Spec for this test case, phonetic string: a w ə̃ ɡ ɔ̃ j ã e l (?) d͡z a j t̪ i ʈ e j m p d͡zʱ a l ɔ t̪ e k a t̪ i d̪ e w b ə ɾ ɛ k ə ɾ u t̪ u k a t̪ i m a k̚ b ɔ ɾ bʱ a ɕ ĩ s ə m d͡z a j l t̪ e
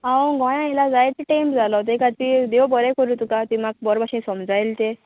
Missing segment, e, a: a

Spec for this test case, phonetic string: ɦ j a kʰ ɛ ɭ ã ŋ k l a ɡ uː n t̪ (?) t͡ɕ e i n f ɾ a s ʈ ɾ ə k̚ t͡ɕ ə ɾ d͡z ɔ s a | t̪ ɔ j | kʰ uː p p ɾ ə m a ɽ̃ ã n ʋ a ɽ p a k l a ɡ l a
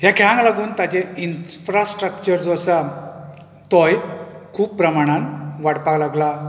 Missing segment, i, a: a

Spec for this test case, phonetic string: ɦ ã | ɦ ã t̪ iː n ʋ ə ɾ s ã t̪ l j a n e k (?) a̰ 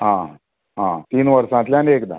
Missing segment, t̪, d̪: d̪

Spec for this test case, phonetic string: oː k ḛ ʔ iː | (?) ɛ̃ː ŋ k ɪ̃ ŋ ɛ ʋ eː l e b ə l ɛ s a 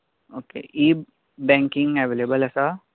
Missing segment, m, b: b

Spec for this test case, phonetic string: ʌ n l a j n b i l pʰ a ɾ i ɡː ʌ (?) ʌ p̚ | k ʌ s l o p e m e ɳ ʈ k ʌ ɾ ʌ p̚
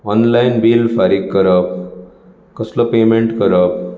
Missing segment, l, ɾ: ɾ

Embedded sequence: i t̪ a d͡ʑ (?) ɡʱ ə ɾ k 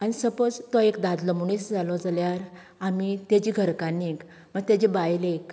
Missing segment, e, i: i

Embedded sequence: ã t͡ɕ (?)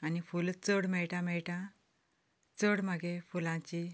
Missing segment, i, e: i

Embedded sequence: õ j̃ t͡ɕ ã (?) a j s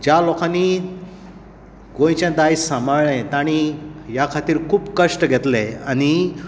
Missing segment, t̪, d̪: d̪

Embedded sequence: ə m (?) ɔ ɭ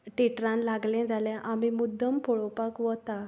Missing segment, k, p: p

